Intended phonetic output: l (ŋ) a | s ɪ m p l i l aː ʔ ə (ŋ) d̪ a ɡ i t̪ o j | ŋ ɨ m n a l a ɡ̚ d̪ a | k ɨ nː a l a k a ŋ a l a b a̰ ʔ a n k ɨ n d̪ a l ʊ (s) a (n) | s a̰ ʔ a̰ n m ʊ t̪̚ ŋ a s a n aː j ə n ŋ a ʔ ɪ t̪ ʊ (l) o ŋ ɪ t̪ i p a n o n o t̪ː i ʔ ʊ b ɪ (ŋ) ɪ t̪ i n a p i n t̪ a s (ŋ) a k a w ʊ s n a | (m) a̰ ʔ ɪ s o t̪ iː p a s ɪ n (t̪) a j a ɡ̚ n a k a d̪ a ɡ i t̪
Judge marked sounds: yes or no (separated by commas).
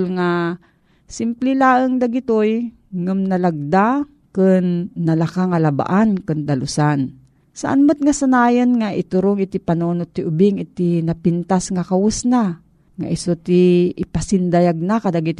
yes, yes, yes, yes, no, yes, yes, no, no